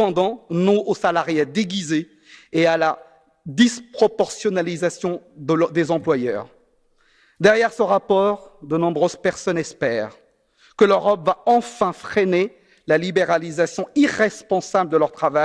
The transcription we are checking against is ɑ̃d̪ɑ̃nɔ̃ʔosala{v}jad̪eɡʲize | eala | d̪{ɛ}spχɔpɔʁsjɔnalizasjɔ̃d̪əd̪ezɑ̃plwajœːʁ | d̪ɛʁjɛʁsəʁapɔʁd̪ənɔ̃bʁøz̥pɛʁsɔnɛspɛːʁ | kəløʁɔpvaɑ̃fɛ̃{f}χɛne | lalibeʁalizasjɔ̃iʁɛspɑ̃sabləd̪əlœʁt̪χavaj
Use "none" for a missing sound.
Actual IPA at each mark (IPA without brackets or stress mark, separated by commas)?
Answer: ʁ, i, f